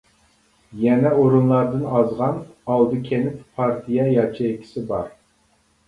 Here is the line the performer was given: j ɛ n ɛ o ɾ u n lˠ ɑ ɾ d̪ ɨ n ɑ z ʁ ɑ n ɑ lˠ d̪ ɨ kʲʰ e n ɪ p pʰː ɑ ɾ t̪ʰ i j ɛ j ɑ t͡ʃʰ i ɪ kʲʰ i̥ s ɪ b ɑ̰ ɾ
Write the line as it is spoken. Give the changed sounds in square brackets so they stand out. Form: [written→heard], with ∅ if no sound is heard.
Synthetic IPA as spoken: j ɛ n ɛ o ɾ u n lˠ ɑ ɾ d̪ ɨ n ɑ z ʁ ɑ n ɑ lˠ d̪ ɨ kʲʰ e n ɪ p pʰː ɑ ɾ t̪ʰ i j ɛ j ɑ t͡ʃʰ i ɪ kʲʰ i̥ s ɪ b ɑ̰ ɾ